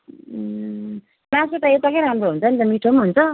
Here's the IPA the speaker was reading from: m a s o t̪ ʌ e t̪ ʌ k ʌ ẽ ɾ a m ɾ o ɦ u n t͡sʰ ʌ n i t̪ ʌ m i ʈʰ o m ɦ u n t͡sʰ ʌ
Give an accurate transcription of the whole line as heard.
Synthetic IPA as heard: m a s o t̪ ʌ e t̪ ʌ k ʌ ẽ ɾ a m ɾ o ɦ u n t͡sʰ ʌ n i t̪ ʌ m i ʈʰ o m ɦ u n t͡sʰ ʌ